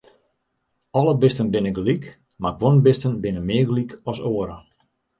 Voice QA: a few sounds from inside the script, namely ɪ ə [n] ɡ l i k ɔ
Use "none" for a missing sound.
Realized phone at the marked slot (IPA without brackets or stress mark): none